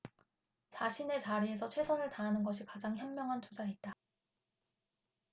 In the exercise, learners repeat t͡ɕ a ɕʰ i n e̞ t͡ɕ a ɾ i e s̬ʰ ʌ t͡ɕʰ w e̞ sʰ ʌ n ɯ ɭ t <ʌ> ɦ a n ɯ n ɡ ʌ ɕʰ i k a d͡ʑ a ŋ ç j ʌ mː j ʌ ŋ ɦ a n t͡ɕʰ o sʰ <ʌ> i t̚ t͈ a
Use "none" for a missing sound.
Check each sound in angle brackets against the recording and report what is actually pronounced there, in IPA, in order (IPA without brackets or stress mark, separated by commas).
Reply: a, a